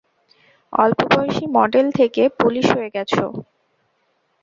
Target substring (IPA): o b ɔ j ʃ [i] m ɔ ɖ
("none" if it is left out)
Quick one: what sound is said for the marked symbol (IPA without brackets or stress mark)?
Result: i